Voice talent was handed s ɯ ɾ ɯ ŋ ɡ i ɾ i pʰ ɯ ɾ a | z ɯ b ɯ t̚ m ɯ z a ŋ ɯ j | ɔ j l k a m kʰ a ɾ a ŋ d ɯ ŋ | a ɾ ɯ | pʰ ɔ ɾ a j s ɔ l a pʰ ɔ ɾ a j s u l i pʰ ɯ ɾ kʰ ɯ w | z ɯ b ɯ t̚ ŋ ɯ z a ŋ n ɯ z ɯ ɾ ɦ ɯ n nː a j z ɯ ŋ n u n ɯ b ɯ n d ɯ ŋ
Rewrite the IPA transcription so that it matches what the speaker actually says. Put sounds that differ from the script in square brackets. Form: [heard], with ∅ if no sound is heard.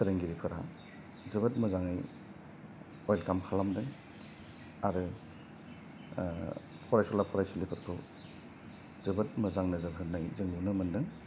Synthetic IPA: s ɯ ɾ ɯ ŋ ɡ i ɾ i pʰ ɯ ɾ a | z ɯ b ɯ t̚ m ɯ z a ŋ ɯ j | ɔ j l k a m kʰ a [l] a [m] d ɯ ŋ | a ɾ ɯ | pʰ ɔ ɾ a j s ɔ l a pʰ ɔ ɾ a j s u l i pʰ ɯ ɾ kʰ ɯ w | z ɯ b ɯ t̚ [m] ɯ z a ŋ n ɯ z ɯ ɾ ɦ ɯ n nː a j z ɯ ŋ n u n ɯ [m] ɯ n d ɯ ŋ